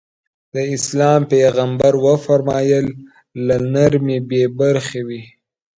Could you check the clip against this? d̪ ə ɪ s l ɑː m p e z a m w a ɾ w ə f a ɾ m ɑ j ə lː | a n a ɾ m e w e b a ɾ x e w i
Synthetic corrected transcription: d̪ ə ɪ s l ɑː m p e ɣ a m b a ɾ w ə f a ɾ m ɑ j ə lː | a n a ɾ m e b e b a ɾ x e w i

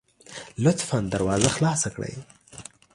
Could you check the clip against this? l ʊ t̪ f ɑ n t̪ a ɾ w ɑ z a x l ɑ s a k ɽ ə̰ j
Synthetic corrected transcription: l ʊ t̪ f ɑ n d̪ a ɾ w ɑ z a x l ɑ s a k ɽ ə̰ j

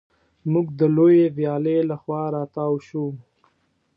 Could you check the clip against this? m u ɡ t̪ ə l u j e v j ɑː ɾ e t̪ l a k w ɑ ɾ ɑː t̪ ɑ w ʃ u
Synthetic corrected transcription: m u ɡ d̪ ə l o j e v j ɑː l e l a x w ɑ ɾ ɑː t̪ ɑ w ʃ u

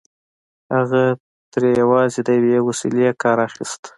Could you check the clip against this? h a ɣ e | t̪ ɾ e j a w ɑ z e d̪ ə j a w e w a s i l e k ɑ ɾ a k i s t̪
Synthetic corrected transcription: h a ɣ a | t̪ ɾ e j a w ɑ z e d̪ ə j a w e w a s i l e k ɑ ɾ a x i s t̪

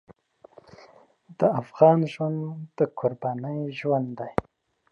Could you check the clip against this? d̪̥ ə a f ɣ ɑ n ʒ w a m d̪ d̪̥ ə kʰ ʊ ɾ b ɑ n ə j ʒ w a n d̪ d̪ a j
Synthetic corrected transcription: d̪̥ ə a f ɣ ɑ n ʒ w a n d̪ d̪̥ ə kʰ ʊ ɾ b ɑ n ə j ʒ w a n d̪ d̪ a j

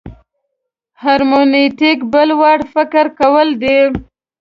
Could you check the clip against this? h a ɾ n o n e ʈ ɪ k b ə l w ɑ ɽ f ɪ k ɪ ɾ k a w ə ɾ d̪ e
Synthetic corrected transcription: h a ɾ m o n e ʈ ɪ k b ə l w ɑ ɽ f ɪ k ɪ ɾ k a w ə l d̪ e

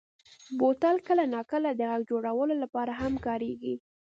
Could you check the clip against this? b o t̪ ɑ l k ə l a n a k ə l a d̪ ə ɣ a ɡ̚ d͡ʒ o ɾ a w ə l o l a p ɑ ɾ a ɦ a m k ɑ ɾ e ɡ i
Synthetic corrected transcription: b o t̪ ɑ l k ə l a n ɑ k ə l a d̪ ə ɣ a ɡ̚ d͡ʒ o ɽ a w ə l o l a p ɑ ɾ a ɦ a m k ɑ ɾ e ɡ i

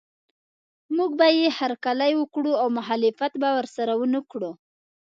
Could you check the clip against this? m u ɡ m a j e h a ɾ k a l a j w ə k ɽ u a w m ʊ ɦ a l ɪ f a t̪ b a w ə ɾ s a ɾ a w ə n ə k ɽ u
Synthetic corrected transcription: m u ɡ b a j e h a ɾ k a l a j w ə k ɽ u a w m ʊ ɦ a l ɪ f a t̪ b a w ə ɾ s a ɾ a w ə n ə k ɽ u

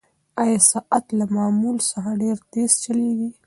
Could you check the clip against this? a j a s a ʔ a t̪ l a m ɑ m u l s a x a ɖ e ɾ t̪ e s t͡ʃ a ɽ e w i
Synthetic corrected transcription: a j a s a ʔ a t̪ l a m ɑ m u l s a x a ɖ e ɾ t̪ e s t͡ʃ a l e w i

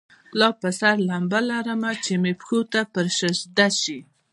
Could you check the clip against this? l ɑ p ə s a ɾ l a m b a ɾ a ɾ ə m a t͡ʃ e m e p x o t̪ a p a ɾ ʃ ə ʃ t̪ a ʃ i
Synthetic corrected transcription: l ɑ p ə s a ɾ l a m b a l a ɾ ə m a t͡ʃ e m e p x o t̪ a p ə ɾ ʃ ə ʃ d̪ a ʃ i

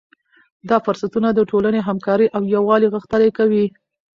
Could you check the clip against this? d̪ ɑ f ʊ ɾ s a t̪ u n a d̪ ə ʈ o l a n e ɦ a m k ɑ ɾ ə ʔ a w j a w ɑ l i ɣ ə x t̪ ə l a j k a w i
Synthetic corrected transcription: d̪ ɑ f ʊ ɾ s a t̪ u n a d̪ ə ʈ o l a n e ɦ a m k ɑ ɾ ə ʔ a w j a w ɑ l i ɣ ə x t̪ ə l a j k a w i

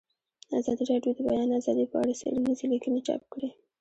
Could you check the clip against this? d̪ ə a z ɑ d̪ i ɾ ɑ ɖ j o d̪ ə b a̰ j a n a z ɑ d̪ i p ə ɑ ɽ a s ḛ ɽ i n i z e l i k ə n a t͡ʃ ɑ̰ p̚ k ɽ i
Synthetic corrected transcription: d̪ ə a z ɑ d̪ i ɾ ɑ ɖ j o d̪ ə b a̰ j ɑ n a z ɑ d̪ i p ə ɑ ɽ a s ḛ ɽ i n i z e l i k ə n e t͡ʃ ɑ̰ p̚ k ɽ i

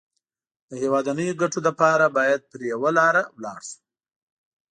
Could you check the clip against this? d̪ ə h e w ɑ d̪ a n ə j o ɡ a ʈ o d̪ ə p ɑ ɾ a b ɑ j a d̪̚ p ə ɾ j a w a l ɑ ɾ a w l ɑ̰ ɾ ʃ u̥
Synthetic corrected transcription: d̪ ə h e w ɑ d̪ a n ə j o ɡ a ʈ o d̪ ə p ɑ ɾ a b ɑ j a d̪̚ p ə ɾ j a w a l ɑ ɾ a w l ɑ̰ ɽ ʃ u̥

